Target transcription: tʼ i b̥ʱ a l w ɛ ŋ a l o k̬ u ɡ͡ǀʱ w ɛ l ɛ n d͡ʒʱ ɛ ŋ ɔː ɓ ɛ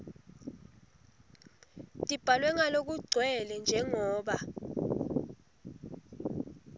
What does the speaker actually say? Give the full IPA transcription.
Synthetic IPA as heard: tʼ i b̥ʱ a l w ɛ ŋ a l o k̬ u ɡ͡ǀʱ w ɛ l ɛ n d͡ʒʱ ɛ ŋ ɔː ɓ a